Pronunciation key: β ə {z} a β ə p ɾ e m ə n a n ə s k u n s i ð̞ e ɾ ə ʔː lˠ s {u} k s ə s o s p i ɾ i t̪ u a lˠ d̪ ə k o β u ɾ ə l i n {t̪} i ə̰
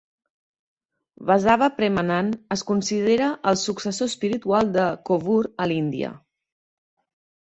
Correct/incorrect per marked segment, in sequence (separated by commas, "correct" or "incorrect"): correct, correct, incorrect